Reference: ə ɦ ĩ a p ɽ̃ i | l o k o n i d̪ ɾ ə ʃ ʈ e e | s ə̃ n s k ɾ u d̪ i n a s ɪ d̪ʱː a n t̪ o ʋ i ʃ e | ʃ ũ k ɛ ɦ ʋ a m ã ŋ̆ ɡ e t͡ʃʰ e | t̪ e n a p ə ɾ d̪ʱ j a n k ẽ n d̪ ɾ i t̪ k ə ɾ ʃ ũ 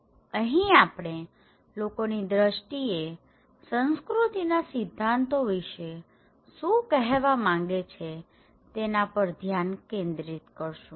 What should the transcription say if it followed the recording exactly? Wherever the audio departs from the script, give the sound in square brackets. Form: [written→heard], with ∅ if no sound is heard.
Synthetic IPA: ə ɦ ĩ a p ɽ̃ [i→e] | l o k o n i d̪ ɾ ə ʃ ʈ [e→i] e | s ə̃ n s k ɾ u [d̪→t̪] i n a s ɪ d̪ʱː a n t̪ o ʋ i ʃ e | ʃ ũ k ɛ ɦ ʋ a m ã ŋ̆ ɡ e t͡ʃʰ e | t̪ e n a p ə ɾ d̪ʱ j a n k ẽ n d̪ ɾ i t̪ k ə ɾ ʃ ũ

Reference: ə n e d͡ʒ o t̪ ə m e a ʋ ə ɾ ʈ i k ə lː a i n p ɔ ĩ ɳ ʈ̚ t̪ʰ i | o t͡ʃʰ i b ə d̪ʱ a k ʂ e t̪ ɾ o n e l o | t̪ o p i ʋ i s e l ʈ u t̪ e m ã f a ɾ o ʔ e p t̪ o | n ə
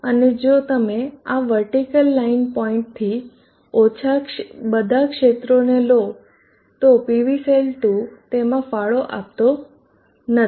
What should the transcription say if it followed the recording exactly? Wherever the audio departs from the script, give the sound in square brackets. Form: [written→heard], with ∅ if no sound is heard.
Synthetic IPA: ə n e d͡ʒ o t̪ ə m e a ʋ ə ɾ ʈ i k ə lː a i n p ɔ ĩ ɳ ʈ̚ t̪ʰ i | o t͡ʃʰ [i→a] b ə d̪ʱ a k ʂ e t̪ ɾ o n e l o | t̪ o p i ʋ i s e l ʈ u t̪ e m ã f a [ɾ→ɭ] o ʔ [e→a] p t̪ o | n ə

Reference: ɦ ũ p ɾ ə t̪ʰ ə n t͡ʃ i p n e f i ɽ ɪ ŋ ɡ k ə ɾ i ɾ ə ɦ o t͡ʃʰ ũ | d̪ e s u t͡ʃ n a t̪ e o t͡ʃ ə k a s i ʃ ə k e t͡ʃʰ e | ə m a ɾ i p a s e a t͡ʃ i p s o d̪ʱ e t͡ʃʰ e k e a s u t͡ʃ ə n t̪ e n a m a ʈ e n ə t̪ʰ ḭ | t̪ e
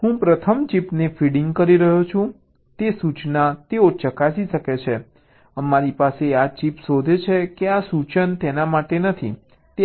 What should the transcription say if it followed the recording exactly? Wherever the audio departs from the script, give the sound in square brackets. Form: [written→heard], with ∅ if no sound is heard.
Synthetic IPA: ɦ ũ p ɾ ə t̪ʰ ə [n→m] t͡ʃ i p n e f i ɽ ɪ ŋ ɡ k ə ɾ i ɾ ə ɦ o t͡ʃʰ ũ | [d̪→t̪] e s u t͡ʃ n a t̪ e o t͡ʃ ə k a s i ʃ ə k e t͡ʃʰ e | ə m a ɾ i p a s e a t͡ʃ i p s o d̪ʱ e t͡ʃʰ e k e a s u t͡ʃ ə n t̪ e n a m a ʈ e n ə t̪ʰ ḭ | t̪ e

